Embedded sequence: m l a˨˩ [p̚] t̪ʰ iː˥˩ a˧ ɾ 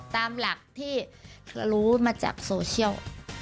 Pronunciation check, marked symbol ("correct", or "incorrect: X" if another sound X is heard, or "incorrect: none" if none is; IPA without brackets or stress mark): incorrect: k̚